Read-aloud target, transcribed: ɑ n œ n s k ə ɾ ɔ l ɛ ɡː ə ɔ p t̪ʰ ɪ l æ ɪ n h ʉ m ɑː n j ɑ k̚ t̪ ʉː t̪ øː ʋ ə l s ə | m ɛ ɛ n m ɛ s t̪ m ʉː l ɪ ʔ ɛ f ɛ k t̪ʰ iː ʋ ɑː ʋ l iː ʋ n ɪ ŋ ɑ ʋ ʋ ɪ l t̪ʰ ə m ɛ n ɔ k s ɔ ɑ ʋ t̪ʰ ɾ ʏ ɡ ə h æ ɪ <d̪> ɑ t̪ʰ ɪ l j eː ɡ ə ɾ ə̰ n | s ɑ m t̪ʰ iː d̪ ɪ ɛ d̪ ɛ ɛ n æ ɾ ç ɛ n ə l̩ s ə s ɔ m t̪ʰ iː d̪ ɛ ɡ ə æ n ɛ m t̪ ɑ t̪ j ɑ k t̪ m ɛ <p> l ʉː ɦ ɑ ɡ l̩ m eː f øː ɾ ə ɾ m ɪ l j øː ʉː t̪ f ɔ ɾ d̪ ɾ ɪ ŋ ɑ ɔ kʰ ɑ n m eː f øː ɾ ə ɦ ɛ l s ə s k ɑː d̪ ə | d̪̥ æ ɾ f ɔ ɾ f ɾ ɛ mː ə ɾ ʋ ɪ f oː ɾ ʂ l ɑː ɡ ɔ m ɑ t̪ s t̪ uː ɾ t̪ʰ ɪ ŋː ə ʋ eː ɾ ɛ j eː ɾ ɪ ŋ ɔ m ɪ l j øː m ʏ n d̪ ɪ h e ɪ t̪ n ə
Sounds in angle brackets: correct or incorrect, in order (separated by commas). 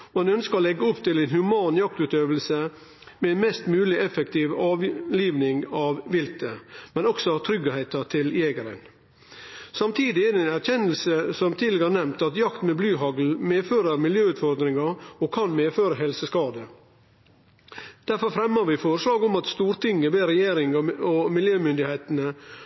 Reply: incorrect, incorrect